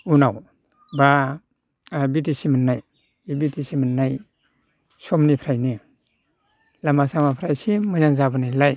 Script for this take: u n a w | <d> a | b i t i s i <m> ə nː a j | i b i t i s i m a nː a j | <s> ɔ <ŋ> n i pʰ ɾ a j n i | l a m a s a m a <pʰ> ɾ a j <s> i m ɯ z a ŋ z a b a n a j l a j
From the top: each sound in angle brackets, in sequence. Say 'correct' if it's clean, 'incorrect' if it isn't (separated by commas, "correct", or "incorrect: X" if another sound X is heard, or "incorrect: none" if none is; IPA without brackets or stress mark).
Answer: incorrect: b, correct, correct, incorrect: m, correct, correct